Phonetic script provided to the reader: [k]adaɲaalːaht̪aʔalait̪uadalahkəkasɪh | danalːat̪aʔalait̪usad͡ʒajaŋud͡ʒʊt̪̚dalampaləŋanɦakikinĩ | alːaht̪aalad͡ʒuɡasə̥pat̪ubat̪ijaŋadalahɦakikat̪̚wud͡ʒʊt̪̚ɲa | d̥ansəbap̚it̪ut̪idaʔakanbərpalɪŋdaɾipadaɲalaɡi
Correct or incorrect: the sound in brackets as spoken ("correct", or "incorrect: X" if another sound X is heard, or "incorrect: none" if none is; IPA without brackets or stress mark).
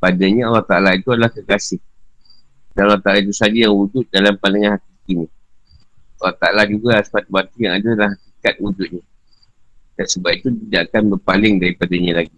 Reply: incorrect: p